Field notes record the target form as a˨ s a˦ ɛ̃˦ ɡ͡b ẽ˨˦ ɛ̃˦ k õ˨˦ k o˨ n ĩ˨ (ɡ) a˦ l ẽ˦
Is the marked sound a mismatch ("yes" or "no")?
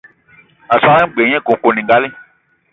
no